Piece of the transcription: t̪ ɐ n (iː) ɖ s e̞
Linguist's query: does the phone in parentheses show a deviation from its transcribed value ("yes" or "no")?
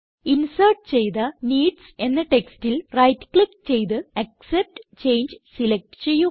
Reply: no